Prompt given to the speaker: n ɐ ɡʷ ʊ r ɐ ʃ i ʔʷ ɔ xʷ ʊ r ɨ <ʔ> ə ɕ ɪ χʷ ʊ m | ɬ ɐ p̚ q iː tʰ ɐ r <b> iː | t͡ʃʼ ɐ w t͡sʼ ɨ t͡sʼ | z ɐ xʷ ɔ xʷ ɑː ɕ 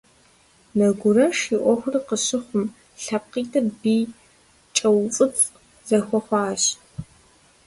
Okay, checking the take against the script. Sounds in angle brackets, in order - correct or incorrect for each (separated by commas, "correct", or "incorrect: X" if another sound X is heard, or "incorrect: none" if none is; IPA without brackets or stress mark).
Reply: incorrect: q, correct